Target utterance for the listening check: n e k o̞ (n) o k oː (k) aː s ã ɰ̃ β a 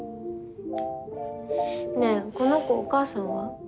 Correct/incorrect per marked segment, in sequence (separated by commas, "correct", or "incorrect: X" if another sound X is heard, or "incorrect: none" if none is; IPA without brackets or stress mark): correct, correct